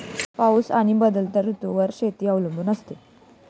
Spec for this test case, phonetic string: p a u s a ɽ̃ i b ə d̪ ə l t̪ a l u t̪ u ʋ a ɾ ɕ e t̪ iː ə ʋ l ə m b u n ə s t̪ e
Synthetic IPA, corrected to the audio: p a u s a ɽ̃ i b ə d̪ ə l t̪ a ɾ u t̪ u ʋ ə ɾ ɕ e t̪ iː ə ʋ l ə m b u n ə s t̪ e